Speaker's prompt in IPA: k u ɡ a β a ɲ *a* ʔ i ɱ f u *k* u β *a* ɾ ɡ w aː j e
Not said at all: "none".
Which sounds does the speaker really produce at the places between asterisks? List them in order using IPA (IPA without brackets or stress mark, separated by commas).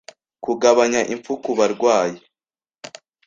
a, k, a